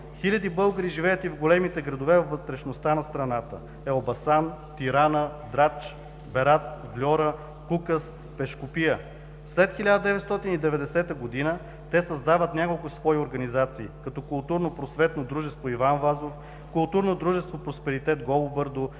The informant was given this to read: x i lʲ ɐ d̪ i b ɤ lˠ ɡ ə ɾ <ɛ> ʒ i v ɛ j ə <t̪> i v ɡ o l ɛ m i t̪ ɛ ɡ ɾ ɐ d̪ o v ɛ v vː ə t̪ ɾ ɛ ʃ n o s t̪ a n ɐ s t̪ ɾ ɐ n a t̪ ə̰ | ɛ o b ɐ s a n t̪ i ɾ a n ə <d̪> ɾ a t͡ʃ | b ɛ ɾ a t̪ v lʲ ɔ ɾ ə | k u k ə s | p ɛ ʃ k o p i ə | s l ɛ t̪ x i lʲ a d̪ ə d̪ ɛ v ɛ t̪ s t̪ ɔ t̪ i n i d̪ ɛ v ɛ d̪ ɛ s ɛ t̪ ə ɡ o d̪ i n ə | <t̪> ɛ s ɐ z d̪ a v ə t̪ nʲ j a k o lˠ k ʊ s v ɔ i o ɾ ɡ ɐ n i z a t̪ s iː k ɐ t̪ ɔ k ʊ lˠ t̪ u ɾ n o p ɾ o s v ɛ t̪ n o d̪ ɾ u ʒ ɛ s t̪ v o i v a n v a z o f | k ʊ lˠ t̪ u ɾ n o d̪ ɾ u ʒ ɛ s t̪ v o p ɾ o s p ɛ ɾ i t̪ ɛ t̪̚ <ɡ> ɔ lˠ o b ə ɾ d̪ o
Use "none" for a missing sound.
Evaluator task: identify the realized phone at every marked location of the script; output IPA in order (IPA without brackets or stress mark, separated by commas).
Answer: i, t̪, d̪, t̪, ɡ